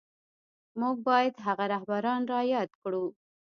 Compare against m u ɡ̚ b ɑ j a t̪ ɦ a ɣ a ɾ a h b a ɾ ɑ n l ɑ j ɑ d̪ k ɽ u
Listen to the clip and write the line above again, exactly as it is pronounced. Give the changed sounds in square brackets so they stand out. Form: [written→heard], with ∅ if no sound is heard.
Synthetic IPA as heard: m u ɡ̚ b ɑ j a [t̪→d̪] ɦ a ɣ a ɾ a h b a ɾ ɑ n [l→ɾ] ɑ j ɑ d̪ k ɽ u